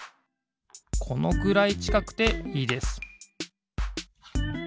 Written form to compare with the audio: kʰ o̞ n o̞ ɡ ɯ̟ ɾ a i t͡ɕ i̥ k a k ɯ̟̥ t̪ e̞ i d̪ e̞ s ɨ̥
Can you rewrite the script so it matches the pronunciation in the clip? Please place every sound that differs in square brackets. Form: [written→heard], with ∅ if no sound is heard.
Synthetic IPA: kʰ o̞ n o̞ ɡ ɯ̟ ɾ a i t͡ɕ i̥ k a k ɯ̟̥ t̪ e̞ [i→iː] d̪ e̞ s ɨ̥